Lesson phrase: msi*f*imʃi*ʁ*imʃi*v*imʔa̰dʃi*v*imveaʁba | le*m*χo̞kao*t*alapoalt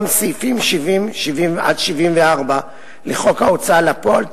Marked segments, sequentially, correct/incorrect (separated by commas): correct, incorrect, correct, correct, incorrect, incorrect